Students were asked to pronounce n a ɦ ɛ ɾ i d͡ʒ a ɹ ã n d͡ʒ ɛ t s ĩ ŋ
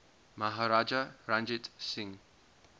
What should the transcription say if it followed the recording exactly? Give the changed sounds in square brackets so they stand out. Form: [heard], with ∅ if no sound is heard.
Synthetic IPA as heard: [m] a ɦ [a] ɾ [a] d͡ʒ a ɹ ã n d͡ʒ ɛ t s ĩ ŋ